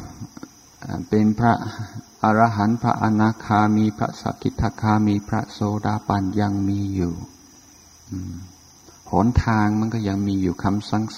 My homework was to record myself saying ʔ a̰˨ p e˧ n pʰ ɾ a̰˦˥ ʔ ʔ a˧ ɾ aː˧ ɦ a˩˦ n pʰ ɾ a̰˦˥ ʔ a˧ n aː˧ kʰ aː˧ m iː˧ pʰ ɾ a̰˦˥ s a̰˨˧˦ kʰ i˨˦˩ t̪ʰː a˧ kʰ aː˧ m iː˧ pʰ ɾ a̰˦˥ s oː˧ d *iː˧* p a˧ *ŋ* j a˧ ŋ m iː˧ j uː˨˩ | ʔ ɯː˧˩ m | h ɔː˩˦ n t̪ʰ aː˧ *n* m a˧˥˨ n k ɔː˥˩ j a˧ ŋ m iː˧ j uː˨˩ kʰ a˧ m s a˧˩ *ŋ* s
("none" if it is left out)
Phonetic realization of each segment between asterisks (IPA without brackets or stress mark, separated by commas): aː˧, n, ŋ, ŋ